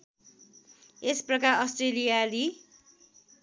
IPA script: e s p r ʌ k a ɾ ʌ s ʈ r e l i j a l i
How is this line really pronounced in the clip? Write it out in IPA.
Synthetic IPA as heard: e s p r ʌ k a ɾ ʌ s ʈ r e l i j a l i